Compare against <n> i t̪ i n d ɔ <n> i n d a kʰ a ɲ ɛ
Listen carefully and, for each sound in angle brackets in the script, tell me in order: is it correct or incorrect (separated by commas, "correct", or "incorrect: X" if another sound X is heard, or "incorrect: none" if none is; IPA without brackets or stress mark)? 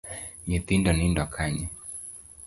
incorrect: ɲ, correct